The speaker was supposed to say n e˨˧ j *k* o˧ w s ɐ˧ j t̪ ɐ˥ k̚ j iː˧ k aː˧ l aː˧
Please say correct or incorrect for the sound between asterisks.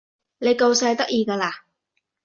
correct